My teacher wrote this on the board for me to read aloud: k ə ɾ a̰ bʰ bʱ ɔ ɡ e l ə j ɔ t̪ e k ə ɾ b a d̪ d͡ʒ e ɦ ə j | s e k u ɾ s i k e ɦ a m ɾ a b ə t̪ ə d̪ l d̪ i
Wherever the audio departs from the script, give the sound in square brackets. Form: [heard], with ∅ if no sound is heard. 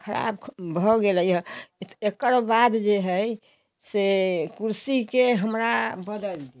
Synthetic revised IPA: [kʰ] ə ɾ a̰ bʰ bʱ ɔ ɡ e l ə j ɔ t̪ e k ə ɾ b a d̪ d͡ʒ e ɦ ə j | s e k u ɾ s i k e ɦ [ə] m ɾ a b ə [d̪] ə [∅] l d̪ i